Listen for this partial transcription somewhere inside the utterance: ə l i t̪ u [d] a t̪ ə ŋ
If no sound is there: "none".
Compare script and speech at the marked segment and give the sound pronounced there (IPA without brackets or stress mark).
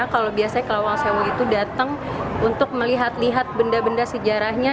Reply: d